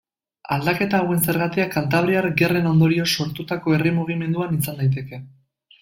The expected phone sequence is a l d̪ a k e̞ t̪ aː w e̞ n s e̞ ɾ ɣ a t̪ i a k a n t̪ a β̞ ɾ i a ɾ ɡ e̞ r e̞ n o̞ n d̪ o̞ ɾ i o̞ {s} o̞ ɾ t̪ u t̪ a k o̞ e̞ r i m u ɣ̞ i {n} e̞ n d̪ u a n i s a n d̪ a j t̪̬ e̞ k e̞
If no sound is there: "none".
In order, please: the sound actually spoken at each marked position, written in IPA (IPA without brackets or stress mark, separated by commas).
s, m